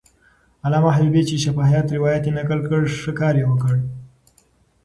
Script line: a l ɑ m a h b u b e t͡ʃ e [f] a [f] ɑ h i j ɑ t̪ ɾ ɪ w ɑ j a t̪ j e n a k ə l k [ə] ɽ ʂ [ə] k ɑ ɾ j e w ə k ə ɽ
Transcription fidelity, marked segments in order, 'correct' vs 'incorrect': incorrect, correct, correct, correct

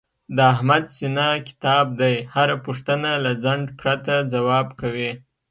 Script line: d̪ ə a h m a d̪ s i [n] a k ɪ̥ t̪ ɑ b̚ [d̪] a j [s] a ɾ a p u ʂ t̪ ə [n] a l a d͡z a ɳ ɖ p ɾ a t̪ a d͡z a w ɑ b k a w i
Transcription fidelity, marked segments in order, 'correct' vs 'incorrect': correct, correct, incorrect, correct

